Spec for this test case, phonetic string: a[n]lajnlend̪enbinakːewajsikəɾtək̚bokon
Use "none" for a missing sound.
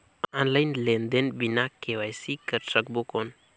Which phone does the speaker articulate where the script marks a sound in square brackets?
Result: n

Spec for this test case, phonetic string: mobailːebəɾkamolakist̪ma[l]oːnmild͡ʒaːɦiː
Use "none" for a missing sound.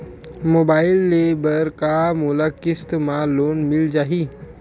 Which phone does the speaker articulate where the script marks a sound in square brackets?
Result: l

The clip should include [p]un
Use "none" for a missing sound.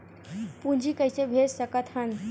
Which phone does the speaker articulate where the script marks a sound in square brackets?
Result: p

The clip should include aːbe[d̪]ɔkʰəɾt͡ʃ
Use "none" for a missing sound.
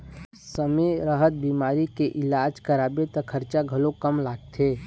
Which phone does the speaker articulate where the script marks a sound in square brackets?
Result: t̪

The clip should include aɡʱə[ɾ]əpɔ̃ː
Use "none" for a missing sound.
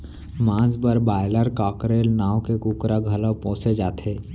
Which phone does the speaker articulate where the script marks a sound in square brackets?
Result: l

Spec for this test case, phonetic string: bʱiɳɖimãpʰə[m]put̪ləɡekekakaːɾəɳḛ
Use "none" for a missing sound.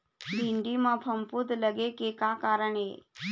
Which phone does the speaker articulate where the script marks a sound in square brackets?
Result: m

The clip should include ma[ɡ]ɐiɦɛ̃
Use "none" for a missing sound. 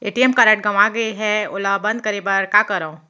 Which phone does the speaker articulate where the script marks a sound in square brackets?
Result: ɡ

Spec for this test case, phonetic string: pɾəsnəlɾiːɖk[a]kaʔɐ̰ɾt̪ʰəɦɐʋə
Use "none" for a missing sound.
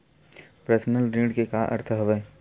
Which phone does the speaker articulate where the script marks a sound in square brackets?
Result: e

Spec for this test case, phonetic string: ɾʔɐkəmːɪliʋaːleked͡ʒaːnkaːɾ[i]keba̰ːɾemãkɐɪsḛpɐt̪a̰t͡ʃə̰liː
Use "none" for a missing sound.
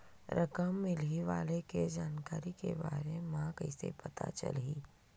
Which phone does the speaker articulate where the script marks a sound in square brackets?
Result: i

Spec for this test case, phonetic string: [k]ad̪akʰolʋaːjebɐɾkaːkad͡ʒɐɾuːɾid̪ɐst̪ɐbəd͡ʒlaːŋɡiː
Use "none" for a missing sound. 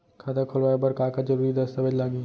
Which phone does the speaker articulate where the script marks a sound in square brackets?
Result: kʰ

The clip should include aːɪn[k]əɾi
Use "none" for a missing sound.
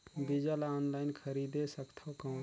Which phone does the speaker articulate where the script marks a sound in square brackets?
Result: kʰ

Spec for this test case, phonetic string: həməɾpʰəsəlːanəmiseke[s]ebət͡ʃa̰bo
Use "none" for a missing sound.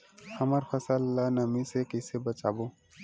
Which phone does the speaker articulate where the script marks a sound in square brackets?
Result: s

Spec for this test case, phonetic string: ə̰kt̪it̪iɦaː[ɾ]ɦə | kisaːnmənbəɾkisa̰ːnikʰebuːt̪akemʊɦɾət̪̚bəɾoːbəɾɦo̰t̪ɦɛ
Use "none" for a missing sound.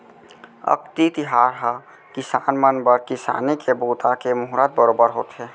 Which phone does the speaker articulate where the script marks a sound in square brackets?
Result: ɾ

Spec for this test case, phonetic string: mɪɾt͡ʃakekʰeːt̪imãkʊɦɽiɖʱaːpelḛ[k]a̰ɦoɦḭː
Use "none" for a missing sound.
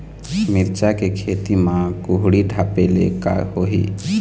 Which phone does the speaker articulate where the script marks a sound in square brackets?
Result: k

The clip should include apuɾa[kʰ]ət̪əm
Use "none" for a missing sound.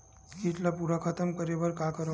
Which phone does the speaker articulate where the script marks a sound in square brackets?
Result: kʰ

